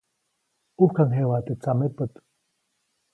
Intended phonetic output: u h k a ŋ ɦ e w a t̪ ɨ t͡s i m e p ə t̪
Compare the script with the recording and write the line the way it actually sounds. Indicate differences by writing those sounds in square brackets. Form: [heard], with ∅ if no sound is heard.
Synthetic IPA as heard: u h k a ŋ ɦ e w a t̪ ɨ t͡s [a] m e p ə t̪